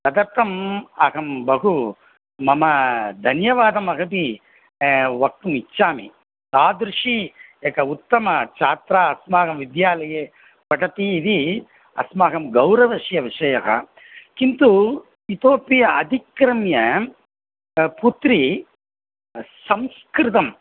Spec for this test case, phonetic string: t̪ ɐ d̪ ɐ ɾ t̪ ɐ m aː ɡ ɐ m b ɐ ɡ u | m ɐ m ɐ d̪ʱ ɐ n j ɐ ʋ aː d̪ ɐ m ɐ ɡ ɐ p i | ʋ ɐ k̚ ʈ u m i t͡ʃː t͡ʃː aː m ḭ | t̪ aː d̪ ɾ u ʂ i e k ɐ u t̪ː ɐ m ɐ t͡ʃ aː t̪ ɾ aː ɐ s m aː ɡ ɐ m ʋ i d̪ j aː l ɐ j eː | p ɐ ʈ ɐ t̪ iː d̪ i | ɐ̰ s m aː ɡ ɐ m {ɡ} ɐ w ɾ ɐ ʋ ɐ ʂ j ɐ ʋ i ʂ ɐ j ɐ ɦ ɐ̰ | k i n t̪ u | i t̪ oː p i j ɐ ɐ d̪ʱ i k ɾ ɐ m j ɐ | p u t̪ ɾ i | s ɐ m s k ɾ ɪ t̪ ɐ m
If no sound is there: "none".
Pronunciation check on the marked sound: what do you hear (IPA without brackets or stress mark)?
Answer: ɡ